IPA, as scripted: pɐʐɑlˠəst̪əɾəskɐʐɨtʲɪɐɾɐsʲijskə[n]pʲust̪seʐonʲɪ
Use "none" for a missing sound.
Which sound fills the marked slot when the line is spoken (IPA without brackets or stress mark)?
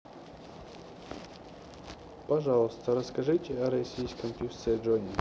m